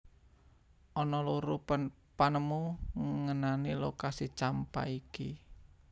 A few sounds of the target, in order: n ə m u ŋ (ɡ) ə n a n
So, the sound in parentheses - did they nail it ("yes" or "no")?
no